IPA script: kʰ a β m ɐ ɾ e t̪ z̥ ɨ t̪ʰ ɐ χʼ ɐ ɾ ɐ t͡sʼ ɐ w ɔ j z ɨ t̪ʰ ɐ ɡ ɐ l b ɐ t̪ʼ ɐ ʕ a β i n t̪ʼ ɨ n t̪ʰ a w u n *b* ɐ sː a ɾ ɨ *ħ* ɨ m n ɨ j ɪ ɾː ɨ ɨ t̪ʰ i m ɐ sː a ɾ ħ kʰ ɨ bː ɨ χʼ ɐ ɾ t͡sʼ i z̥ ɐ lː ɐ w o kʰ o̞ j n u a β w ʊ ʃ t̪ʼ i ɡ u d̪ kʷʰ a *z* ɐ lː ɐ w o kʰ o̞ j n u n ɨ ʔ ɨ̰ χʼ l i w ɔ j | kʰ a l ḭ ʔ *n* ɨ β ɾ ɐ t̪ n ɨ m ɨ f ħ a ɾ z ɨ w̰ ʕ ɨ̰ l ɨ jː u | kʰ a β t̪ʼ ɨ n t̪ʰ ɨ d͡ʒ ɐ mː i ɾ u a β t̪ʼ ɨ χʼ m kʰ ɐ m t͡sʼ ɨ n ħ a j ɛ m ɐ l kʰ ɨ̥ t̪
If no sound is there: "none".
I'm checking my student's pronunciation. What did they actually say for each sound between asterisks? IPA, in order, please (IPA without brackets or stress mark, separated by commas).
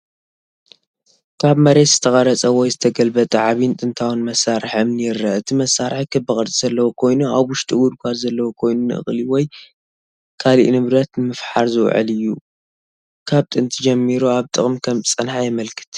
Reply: m, ħ, z, n